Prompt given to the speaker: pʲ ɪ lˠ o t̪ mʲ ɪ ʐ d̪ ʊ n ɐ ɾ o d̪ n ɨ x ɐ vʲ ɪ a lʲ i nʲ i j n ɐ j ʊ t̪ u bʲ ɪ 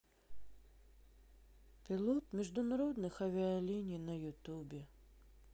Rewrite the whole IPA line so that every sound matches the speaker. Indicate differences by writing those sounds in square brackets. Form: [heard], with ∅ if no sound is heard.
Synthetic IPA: pʲ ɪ lˠ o t̪ mʲ ɪ ʐ d̪ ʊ n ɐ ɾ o d̪ n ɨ x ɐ vʲ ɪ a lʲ i nʲ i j n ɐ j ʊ t̪ u bʲ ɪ